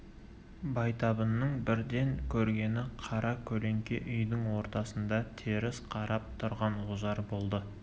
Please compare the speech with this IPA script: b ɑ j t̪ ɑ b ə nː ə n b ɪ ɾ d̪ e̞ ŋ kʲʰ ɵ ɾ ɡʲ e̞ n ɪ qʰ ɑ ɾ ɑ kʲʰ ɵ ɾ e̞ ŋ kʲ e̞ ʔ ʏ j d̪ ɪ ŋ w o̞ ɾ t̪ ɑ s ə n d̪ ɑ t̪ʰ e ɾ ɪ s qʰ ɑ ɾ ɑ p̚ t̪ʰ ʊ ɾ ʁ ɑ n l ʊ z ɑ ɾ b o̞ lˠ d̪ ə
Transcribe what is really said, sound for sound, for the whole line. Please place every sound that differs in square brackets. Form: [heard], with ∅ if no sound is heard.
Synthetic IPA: b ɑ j t̪ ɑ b ə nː ə [ɴ] b ɪ ɾ d̪ e̞ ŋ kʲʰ ɵ ɾ ɡʲ e̞ n ɪ qʰ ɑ ɾ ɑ kʲʰ ɵ [l] e̞ ŋ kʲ e̞ ʔ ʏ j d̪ ɪ ŋ w o̞ ɾ t̪ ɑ s ə n d̪ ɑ t̪ʰ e ɾ ɪ s qʰ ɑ ɾ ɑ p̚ t̪ʰ ʊ ɾ ʁ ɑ n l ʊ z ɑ ɾ b o̞ lˠ d̪ ə